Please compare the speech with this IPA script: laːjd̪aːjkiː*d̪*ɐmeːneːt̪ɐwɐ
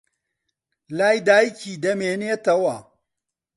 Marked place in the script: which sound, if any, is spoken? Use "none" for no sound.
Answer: d̪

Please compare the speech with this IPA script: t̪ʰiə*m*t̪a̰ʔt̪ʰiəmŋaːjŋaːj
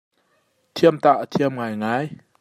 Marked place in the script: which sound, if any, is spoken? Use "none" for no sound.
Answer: m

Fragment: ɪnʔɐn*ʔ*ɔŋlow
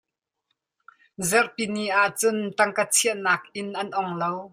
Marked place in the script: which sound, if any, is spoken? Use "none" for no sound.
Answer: ʔ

